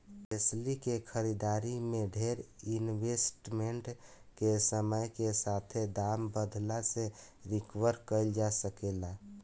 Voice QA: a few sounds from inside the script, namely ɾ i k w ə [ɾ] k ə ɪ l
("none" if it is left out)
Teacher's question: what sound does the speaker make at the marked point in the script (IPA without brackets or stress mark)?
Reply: ɾ